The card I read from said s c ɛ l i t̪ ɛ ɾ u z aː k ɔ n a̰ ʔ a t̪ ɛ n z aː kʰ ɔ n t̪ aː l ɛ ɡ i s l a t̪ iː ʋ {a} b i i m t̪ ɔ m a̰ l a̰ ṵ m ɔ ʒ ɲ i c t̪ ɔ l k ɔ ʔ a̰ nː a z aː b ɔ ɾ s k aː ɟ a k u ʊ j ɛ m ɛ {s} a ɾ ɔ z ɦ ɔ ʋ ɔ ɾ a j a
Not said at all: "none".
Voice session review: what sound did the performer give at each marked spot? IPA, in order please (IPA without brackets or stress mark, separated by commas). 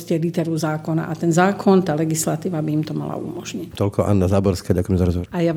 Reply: a, z